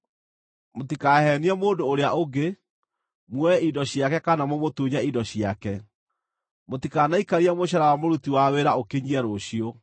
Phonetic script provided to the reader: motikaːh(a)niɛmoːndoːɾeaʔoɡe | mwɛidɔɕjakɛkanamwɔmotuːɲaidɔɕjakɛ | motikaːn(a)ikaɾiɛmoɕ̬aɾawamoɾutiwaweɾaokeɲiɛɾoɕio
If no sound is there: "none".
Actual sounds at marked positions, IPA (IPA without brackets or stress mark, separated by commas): ɛ, a